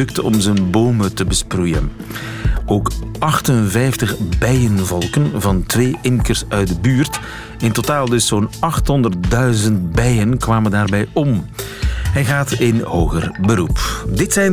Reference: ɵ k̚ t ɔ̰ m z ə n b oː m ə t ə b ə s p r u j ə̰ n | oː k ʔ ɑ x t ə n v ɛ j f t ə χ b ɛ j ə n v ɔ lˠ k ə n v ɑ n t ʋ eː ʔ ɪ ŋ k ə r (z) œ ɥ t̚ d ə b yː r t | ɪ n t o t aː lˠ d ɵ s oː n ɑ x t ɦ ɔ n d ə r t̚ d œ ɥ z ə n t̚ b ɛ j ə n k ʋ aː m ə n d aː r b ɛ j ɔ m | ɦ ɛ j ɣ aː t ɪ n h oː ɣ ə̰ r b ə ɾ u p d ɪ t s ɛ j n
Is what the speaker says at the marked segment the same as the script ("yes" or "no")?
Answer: no